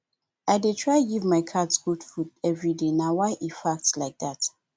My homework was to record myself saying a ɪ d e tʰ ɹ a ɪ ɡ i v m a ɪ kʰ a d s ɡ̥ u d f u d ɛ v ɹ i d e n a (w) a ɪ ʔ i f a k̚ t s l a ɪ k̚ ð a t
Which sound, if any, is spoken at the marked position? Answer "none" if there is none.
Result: w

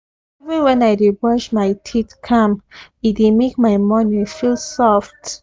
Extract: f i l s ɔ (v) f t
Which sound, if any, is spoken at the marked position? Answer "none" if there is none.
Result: none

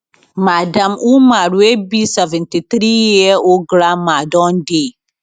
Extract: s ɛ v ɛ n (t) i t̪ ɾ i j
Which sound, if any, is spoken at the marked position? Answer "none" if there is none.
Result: t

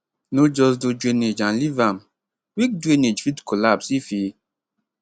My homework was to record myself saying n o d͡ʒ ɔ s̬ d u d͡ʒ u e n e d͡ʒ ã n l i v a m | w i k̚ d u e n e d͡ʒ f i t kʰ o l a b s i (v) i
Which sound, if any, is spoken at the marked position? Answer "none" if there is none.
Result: f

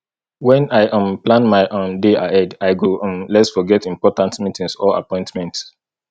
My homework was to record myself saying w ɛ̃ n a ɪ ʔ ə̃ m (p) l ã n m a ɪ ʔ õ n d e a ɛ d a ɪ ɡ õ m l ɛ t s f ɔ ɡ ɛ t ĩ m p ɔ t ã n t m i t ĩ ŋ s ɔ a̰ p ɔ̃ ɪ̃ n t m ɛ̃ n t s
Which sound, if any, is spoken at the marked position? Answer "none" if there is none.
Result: p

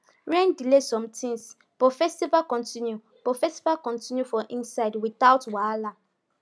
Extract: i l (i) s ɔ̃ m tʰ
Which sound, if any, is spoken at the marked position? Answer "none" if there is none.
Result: e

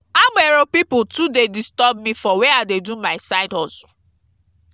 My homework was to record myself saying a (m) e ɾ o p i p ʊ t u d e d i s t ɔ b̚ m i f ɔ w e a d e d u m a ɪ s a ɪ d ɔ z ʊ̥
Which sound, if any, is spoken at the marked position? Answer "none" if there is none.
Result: m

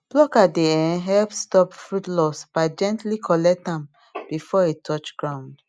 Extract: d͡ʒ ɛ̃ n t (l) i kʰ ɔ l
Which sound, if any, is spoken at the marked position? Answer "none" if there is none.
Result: l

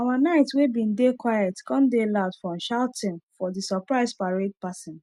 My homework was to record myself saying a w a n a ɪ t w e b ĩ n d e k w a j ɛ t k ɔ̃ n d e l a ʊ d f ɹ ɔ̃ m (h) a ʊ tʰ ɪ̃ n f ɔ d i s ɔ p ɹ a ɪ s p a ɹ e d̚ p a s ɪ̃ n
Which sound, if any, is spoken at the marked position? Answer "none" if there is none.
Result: ʃ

